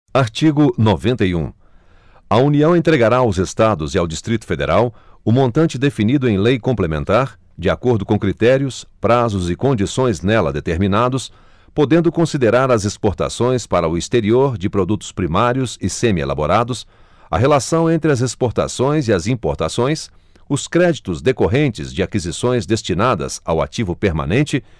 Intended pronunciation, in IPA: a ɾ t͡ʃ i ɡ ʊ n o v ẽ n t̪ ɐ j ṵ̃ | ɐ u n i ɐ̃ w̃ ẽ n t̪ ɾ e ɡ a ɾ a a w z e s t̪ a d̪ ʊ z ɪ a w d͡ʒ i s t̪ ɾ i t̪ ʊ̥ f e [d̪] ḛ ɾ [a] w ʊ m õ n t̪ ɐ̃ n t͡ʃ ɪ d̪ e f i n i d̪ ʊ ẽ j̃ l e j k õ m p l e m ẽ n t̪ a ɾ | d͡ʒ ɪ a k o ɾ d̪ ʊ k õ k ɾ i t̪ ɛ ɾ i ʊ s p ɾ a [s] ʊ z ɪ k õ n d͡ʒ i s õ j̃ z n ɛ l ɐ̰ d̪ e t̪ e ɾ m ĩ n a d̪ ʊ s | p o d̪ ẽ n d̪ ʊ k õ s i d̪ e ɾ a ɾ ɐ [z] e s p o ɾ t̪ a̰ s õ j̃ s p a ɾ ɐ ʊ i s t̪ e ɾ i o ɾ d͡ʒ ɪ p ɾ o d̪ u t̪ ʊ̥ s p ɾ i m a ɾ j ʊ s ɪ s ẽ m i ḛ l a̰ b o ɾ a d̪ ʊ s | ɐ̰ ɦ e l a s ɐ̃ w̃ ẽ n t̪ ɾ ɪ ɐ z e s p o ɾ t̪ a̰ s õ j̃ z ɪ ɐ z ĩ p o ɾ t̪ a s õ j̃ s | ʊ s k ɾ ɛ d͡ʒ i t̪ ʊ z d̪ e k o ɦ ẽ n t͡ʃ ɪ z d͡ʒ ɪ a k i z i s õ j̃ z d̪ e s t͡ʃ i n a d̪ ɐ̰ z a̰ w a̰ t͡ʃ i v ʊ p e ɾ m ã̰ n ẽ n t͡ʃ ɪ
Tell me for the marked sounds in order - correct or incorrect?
correct, correct, incorrect, correct

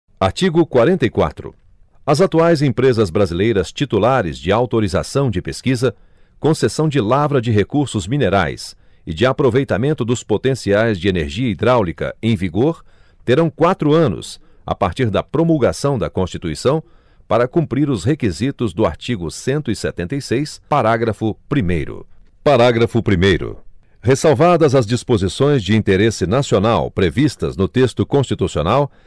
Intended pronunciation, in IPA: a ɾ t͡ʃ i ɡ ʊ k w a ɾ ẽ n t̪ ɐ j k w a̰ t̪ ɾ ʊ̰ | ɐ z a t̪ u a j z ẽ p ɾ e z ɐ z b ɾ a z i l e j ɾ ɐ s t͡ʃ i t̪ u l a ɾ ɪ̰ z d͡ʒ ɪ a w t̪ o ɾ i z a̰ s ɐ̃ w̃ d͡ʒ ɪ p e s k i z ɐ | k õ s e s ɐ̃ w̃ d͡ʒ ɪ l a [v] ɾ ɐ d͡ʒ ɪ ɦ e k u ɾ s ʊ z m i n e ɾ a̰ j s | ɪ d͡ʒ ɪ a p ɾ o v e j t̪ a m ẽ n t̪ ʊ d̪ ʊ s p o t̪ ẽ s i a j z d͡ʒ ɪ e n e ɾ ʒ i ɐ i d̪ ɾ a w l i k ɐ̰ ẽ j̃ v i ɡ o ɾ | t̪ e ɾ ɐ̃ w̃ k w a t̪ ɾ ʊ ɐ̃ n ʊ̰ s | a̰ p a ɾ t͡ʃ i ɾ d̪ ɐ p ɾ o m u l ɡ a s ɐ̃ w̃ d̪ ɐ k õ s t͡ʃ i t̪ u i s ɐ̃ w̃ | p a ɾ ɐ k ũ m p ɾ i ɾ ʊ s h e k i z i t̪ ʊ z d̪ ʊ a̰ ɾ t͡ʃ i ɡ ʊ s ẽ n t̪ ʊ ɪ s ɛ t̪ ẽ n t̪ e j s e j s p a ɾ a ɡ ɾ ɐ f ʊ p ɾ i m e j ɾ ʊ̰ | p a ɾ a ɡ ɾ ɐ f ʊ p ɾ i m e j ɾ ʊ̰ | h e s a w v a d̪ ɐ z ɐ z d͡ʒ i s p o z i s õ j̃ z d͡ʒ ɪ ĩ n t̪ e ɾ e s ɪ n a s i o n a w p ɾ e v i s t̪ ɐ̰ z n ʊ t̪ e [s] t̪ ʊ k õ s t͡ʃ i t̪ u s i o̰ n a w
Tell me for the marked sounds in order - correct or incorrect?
correct, correct

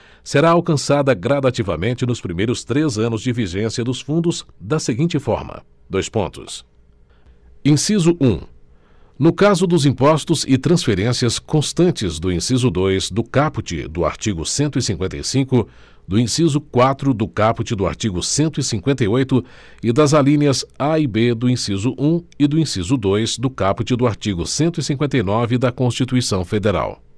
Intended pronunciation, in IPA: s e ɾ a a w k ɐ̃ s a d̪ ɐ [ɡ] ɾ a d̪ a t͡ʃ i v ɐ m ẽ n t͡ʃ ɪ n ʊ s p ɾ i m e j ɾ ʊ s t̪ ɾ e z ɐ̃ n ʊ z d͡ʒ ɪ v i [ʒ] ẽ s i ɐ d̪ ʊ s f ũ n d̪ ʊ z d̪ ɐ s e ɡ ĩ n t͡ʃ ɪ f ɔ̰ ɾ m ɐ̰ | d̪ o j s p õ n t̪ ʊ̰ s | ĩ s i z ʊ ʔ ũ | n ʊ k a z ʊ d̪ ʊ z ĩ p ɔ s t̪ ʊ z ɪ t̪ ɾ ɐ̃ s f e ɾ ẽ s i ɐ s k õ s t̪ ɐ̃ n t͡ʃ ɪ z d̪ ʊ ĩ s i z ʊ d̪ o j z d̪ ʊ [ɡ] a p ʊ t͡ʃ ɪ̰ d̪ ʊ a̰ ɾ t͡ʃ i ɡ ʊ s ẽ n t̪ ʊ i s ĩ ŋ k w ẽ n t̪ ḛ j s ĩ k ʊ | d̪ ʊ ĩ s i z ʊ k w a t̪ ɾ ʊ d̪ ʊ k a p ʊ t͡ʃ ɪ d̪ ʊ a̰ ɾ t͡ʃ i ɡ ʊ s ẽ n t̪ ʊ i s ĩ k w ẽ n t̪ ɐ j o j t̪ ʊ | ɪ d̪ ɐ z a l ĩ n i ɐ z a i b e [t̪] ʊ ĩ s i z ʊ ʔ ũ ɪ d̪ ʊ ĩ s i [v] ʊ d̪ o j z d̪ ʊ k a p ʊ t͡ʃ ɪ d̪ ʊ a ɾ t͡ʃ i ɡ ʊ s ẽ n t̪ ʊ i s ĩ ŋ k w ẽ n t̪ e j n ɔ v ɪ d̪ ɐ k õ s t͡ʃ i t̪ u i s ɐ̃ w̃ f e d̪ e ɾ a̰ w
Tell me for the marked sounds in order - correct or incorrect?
correct, correct, incorrect, incorrect, incorrect

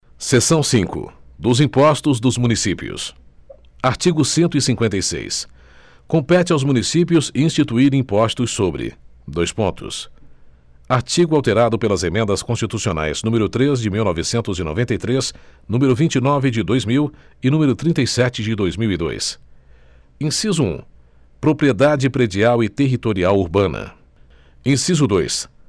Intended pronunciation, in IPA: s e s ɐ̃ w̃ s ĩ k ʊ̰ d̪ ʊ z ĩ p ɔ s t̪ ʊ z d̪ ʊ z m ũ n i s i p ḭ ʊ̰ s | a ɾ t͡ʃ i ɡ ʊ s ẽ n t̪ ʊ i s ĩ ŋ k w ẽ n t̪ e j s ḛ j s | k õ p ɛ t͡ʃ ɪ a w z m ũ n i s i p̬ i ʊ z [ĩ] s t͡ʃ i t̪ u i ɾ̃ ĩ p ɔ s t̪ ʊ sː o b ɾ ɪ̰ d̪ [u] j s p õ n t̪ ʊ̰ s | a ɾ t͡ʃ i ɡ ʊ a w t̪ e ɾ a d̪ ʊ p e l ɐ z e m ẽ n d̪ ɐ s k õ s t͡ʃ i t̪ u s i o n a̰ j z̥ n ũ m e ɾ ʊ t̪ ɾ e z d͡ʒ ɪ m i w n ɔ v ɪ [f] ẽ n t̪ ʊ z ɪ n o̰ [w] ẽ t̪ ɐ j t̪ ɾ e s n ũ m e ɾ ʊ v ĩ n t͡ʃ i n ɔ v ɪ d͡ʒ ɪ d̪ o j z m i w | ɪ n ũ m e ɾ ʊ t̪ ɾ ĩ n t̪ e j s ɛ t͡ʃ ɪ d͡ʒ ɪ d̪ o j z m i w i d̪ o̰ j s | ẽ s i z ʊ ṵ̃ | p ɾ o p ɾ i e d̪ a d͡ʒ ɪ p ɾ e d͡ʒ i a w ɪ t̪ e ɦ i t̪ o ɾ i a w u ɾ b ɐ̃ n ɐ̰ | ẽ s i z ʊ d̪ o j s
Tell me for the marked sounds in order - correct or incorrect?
correct, incorrect, incorrect, incorrect

